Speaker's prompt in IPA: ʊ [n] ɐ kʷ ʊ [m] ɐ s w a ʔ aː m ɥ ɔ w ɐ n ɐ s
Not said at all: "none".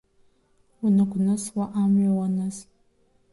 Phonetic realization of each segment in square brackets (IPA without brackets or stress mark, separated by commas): n, n